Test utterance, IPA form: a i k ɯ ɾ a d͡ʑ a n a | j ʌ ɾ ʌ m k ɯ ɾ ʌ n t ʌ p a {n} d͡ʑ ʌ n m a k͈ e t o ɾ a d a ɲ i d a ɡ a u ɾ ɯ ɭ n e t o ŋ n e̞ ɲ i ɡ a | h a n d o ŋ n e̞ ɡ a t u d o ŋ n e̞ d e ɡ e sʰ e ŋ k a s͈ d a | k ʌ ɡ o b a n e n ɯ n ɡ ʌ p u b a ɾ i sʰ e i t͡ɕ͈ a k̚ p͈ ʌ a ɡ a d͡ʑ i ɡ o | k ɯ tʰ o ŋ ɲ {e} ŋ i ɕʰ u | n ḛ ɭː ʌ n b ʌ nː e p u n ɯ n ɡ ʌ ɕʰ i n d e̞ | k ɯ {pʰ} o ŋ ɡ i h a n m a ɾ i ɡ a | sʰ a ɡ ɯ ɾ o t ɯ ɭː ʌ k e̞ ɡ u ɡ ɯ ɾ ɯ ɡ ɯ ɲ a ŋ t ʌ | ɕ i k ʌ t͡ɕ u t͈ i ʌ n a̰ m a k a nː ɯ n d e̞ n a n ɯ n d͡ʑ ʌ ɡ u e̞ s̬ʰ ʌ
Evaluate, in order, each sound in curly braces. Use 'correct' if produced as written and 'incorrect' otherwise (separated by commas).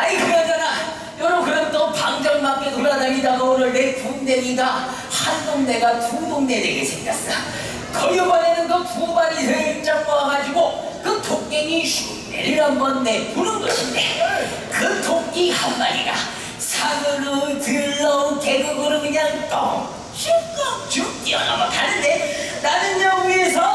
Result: incorrect, correct, incorrect